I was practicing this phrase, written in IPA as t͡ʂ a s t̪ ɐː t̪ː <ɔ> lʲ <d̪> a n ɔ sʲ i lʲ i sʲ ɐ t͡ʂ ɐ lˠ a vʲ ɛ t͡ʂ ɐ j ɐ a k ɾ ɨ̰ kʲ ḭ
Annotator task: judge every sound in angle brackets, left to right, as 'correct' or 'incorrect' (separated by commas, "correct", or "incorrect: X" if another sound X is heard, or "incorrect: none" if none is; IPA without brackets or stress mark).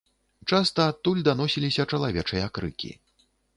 incorrect: u, correct